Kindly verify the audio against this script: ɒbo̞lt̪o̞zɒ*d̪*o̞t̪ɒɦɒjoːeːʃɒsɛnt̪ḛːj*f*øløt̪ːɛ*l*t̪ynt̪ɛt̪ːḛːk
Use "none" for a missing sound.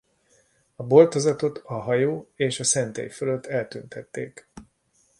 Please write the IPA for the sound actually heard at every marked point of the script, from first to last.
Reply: t̪, f, l

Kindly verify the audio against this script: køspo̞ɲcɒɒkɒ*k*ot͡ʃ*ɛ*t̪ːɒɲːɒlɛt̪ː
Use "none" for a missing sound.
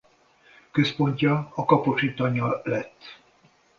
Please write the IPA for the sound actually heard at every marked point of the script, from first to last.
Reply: p, i

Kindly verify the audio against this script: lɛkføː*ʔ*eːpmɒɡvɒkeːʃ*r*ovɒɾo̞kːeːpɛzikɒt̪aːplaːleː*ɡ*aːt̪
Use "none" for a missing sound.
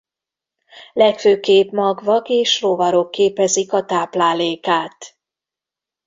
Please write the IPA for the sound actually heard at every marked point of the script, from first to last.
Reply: k, r, k

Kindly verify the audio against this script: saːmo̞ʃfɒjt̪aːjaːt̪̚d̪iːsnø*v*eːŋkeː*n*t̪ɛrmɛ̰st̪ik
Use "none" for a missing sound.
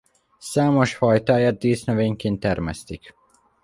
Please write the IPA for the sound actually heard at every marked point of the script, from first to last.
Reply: v, n

